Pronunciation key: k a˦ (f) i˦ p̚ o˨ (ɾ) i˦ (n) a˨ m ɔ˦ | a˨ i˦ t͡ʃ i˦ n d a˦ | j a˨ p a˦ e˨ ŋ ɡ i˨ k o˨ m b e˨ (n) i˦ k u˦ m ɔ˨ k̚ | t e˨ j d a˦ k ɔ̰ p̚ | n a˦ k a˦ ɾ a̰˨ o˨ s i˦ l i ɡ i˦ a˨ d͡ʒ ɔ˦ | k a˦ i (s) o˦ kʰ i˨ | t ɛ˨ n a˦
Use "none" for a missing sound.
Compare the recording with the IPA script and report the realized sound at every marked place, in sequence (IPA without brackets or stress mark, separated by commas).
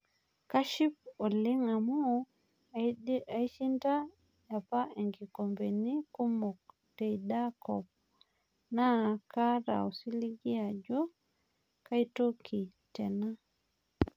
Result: ʃ, l, ŋ, n, t